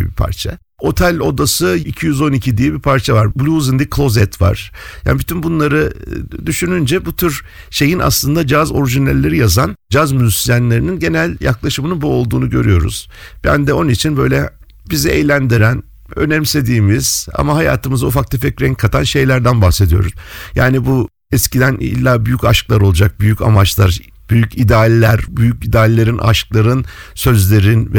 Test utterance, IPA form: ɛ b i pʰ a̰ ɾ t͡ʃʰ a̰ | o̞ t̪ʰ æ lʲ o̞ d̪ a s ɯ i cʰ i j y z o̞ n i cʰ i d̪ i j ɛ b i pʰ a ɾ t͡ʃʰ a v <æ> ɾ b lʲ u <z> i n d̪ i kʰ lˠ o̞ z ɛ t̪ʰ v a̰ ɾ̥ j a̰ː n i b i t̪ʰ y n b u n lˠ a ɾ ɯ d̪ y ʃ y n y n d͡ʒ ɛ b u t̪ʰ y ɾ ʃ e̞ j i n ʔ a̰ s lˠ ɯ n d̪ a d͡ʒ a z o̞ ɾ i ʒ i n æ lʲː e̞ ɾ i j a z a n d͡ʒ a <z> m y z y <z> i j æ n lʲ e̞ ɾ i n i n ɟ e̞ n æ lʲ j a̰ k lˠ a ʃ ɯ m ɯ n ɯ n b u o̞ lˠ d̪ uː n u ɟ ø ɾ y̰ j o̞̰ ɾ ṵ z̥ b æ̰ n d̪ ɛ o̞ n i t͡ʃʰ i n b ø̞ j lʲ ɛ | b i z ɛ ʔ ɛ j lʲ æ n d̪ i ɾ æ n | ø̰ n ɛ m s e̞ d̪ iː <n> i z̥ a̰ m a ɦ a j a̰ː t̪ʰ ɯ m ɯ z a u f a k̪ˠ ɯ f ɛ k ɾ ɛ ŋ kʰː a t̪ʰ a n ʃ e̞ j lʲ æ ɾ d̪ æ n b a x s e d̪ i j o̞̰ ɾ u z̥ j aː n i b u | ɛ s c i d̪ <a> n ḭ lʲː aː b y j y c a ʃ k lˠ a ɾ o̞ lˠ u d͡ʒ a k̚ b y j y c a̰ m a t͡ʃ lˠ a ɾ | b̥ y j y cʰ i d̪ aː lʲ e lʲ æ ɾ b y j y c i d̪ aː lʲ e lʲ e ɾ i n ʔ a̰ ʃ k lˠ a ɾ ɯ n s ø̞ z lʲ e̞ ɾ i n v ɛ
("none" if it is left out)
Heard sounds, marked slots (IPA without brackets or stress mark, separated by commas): a, z, z, s, m, æ